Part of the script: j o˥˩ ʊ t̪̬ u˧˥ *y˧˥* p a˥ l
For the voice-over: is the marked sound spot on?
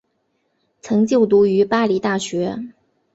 yes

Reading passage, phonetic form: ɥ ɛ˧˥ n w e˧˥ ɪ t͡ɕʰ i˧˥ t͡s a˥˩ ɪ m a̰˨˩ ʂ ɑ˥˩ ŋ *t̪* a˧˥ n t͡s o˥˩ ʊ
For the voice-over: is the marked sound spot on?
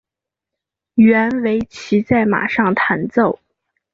no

